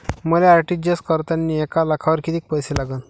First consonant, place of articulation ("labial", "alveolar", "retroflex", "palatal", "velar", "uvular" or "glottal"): labial